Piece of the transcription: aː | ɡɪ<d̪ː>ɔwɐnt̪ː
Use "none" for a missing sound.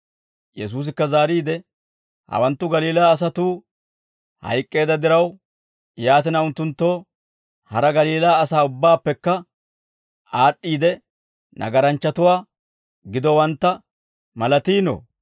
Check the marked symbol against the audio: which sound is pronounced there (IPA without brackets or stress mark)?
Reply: d̪